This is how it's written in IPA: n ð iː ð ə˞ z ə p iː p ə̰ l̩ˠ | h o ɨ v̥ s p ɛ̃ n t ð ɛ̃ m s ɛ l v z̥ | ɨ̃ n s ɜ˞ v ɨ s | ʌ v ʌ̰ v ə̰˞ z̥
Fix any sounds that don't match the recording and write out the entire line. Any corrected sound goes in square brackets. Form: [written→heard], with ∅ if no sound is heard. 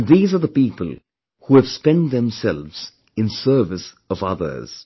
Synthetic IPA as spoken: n ð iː [ð→z] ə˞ [z→ð] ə p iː p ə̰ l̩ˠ | h [o→u] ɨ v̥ s p ɛ̃ n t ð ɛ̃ m s ɛ l v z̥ | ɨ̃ n s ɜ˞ v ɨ s | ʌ v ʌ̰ [v→ð] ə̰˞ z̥